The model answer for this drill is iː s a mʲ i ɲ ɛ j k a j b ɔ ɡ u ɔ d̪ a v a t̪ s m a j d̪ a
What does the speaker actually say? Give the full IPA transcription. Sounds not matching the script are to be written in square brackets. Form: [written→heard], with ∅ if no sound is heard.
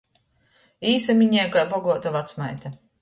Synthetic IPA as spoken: iː s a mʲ i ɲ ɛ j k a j b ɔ ɡ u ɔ [d̪→t̪] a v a t̪ s m a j [d̪→t̪] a